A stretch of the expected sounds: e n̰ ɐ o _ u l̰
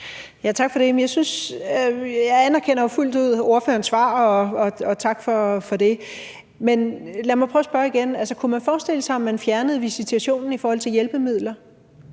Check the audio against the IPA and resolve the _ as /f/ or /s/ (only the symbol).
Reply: f